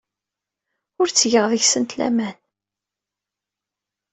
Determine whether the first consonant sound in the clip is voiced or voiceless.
voiced